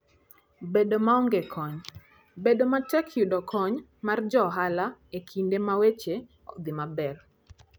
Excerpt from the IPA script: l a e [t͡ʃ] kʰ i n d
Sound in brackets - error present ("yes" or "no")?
yes